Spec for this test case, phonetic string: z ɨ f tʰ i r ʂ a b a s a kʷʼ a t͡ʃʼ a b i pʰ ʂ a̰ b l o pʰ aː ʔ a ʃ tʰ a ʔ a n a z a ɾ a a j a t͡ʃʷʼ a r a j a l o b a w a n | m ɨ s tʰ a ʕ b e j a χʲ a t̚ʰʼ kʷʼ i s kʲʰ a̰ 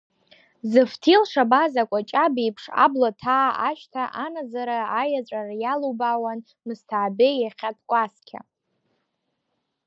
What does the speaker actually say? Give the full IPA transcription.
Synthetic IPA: z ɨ f tʰ i l ʂ a b a z a kʷʼ a t͡ʃʼ a b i pʰ ʂ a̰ b l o tʰ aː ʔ a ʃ tʰ a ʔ a n a z a ɾ a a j a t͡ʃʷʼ a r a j a l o b a w a n | m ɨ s tʰ a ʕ b e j a χʲ a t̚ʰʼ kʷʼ a s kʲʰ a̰

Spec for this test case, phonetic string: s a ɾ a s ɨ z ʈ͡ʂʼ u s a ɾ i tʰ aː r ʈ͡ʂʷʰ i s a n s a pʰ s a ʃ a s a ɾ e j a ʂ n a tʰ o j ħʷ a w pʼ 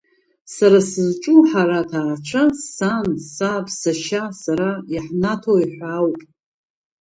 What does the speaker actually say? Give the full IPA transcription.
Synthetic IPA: s a ɾ a s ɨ z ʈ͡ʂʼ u ħ a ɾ a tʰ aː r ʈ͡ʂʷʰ a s a n s a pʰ s a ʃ a s a ɾ a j a ħ n a tʰ o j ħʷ a w pʼ

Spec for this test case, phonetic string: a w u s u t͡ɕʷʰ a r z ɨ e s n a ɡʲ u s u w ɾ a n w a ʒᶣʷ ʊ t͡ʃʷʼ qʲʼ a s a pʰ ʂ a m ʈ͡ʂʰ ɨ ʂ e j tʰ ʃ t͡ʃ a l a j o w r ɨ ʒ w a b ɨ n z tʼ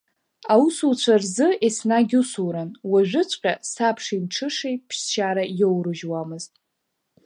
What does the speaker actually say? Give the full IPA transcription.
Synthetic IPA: a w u s u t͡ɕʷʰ a r z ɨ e s n a ɡʲ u s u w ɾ a n w a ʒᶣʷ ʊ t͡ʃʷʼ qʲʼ a s a pʰ ʂ i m ʈ͡ʂʰ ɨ ʂ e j pʰ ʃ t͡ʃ a ɾ a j o w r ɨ ʒ w a m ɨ z tʼ

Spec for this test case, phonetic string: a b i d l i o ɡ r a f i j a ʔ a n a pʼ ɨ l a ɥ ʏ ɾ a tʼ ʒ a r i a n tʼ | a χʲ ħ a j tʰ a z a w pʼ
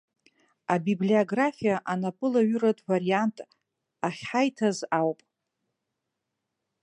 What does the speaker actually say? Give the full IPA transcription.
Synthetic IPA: a b i b l i o ɡ r a f i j a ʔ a n a pʼ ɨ l a ɥ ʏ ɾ a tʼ v a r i a n tʼ | a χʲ ħ a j tʰ a z a w pʼ

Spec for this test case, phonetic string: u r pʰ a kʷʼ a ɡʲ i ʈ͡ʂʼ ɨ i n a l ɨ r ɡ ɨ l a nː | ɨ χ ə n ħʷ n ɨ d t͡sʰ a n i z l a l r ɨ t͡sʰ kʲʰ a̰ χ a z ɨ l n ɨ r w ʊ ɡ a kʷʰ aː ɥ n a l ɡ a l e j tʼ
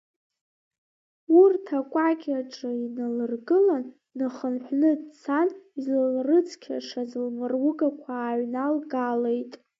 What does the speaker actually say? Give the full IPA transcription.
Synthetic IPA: u r tʰ a kʷʼ a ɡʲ a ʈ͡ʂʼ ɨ i n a l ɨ r ɡ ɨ l a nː | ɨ χ ə n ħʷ n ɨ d t͡sʰ a n i z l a l r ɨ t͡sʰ kʲʰ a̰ ʂ a z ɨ l m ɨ r w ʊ ɡ a kʷʰ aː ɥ n a l ɡ a l e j tʼ

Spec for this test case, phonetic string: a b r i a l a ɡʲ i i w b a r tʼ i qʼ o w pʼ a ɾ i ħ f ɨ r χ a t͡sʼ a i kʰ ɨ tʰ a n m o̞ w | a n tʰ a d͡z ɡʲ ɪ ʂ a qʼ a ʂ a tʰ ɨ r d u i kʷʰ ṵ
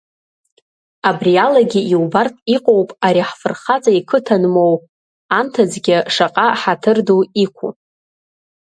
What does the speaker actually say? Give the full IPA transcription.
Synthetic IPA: a b r i a l a ɡʲ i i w b a r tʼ i qʼ o w pʼ a ɾ i ħ f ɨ r χ a t͡sʼ a i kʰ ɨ tʰ a n m o̞ w | a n tʰ a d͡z ɡʲ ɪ ʂ a qʼ a ħ a tʰ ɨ r d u i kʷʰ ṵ

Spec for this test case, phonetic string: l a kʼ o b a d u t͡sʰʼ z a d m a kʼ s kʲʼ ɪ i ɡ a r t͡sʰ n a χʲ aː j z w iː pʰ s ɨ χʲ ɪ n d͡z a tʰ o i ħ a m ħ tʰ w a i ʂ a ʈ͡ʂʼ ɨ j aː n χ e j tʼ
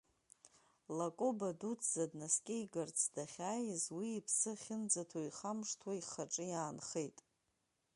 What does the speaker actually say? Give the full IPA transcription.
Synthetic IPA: l a kʼ o b a d u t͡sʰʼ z a d n a s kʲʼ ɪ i ɡ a r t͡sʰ d a χʲ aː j z w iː pʰ s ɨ χʲ ɪ n d͡z a tʰ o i χ a m ʂ tʰ w a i χ a ʈ͡ʂʼ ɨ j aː n χ e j tʼ

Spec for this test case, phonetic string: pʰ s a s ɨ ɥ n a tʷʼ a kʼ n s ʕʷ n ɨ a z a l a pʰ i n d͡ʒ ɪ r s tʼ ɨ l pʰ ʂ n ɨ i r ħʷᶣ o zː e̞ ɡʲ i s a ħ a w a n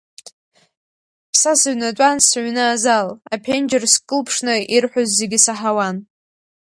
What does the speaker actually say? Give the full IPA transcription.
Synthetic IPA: pʰ s a s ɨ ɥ n a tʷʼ a n s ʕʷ n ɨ a z a l a pʰ e n d͡ʒ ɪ r s kʼ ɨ l pʰ ʂ n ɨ i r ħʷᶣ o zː e̞ ɡʲ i s a ħ a w a n

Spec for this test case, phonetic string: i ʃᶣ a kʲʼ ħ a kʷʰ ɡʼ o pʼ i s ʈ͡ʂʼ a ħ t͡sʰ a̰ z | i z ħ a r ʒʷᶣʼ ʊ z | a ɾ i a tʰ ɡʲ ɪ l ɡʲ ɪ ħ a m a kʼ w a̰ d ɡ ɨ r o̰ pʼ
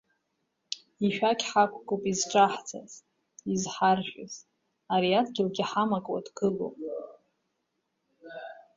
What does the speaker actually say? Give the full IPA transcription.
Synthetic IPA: i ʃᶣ a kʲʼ ħ a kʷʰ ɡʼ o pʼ i z ʈ͡ʂʼ a ħ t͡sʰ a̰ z | i z ħ a r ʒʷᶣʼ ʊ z | a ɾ i a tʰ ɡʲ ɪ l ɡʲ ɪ ħ a m a kʼ w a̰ d ɡ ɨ l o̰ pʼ

